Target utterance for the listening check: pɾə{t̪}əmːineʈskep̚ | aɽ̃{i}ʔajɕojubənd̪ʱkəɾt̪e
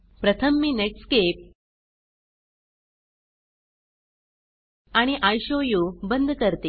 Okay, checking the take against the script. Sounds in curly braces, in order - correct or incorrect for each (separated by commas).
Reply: incorrect, correct